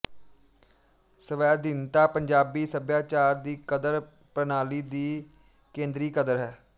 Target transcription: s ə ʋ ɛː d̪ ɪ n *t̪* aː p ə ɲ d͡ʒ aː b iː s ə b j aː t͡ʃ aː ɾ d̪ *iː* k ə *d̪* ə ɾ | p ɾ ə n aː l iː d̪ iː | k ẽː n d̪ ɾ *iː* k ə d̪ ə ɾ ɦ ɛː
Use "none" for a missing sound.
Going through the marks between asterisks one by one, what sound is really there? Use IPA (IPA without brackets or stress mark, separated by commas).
t̪, iː, d̪, iː